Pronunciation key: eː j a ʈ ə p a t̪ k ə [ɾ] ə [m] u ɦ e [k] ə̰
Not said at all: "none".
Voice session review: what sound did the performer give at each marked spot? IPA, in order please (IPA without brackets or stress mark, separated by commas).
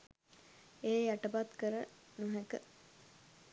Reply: ɾ, n, k